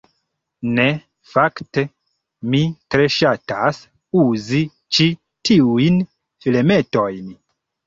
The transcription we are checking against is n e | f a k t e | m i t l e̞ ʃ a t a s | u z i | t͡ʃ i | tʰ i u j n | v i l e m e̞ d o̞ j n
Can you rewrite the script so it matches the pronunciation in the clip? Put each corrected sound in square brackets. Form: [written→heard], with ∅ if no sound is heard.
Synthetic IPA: n e | f a k t e | m i t [l→ɾ] e̞ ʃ a t a s | u z i | t͡ʃ i | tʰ i u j n | [v→f] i l e m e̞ [d→t] o̞ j n